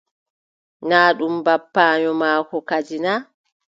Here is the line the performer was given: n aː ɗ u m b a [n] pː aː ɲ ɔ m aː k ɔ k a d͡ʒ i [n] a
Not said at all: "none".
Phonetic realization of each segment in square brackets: none, n

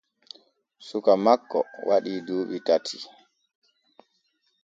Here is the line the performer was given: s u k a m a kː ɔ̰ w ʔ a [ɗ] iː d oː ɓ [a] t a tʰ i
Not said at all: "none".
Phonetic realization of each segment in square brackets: ɗ, i

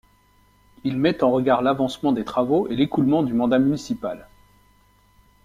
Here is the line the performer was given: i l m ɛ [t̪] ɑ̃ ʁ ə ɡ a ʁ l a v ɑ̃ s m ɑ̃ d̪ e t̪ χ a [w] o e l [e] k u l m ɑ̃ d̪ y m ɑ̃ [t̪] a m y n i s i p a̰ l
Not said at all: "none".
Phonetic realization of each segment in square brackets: t̪, v, e, d̪

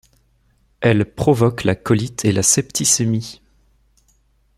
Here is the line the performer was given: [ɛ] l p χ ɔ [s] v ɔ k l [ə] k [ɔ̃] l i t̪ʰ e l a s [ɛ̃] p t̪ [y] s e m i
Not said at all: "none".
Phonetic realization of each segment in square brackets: ɛ, none, a, ɔ, ɛ, i

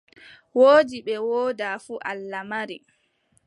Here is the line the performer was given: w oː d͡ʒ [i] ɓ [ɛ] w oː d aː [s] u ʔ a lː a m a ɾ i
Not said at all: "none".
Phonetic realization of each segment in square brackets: i, ɛ, f

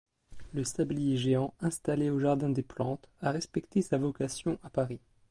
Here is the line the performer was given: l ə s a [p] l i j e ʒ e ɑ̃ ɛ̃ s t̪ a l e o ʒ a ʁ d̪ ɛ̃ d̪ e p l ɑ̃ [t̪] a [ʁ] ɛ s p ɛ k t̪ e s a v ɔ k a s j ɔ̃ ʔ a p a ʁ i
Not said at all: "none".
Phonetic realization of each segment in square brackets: b, t̪, ʁ

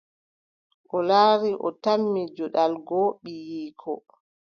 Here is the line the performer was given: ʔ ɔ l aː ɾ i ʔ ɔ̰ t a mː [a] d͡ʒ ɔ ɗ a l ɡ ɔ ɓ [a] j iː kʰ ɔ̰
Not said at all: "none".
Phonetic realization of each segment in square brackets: i, i

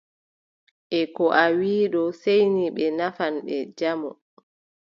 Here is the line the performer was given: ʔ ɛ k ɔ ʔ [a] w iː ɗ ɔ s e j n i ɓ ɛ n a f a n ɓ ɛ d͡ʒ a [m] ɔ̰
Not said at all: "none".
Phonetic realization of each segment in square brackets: a, m

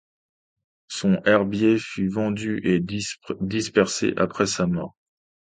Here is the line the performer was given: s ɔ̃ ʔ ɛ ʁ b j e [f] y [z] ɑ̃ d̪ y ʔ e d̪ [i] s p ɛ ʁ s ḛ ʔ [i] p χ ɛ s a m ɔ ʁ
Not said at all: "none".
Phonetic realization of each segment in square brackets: f, v, i, a

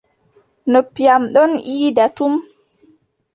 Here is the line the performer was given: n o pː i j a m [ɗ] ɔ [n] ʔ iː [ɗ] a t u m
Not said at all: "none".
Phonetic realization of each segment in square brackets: ɗ, n, d

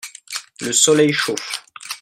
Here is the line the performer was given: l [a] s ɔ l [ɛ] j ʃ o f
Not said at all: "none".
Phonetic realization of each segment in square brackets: ə, ɛ

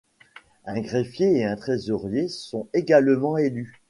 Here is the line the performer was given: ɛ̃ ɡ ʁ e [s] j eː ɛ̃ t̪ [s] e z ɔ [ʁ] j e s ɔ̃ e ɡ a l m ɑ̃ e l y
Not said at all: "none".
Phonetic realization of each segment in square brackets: f, χ, ʁ

